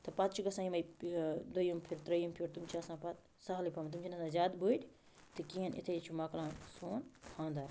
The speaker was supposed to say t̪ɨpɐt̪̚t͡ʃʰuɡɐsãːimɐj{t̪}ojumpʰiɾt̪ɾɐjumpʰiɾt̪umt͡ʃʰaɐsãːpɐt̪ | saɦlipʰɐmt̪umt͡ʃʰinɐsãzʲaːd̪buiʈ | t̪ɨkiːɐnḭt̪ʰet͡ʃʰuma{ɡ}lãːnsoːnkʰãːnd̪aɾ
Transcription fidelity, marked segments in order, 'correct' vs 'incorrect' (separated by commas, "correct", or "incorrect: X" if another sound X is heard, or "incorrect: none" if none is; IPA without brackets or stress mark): incorrect: d̪, incorrect: k